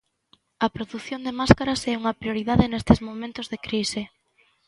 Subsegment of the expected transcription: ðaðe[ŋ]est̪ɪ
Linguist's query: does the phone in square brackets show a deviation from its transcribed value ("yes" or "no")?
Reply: yes